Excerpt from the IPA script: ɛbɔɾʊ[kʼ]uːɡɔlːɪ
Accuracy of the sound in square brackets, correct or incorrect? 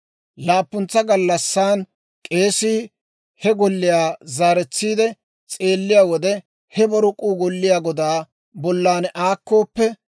correct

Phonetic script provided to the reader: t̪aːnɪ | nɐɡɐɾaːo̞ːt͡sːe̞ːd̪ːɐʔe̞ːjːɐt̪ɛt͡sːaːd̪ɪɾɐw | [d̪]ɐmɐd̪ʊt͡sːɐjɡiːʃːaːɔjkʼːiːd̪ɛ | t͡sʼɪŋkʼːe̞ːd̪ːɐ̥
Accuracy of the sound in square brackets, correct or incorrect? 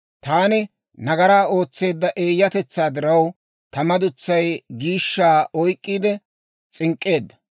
incorrect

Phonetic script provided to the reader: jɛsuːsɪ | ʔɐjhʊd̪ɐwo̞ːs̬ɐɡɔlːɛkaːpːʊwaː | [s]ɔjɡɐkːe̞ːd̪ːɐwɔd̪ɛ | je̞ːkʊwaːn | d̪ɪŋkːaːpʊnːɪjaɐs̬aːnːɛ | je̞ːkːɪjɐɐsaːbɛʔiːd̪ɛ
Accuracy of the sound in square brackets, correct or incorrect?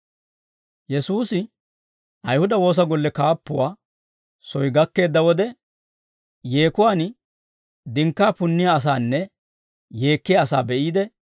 correct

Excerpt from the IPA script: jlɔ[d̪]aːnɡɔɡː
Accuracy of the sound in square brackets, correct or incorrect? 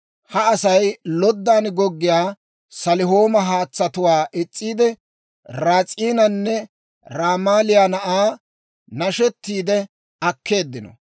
incorrect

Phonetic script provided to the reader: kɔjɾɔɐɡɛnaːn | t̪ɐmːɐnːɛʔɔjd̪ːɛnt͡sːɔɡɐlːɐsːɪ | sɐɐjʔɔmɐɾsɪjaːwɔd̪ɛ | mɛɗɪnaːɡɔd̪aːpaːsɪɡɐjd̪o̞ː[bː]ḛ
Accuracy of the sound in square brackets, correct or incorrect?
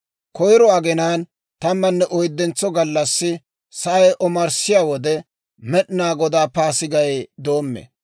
incorrect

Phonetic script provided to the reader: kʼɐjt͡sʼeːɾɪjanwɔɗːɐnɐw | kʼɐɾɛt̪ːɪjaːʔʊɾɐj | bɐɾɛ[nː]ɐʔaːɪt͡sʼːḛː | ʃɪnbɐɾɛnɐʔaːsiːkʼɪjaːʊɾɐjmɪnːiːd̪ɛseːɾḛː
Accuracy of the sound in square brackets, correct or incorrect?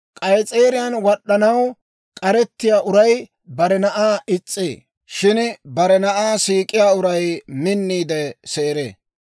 incorrect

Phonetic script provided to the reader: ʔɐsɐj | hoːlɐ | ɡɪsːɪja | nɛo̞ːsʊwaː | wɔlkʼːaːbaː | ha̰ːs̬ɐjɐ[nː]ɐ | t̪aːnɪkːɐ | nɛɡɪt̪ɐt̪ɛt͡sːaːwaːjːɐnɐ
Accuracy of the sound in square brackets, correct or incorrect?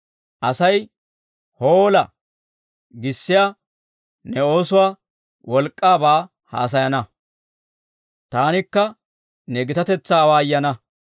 incorrect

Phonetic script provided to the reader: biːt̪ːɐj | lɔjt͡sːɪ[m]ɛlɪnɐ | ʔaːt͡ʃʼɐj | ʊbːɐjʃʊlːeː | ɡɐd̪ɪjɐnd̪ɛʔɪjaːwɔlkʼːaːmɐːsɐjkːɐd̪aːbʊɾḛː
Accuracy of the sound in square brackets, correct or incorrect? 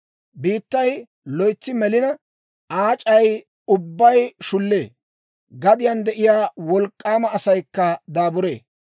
correct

